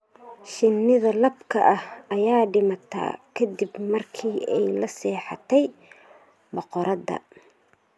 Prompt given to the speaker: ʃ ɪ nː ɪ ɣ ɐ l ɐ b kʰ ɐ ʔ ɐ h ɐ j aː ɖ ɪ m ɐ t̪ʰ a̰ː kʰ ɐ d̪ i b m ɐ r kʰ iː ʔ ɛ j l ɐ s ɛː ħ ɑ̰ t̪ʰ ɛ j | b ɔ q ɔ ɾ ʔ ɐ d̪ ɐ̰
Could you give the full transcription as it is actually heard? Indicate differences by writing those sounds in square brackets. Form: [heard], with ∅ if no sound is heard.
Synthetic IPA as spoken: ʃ ɪ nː ɪ [ð] ɐ l ɐ b kʰ ɐ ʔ ɐ h ɐ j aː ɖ ɪ m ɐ t̪ʰ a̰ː kʰ ɐ d̪ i b m ɐ r kʰ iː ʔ ɛ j l ɐ s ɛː ħ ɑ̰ t̪ʰ ɛ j | b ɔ q ɔ ɾ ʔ ɐ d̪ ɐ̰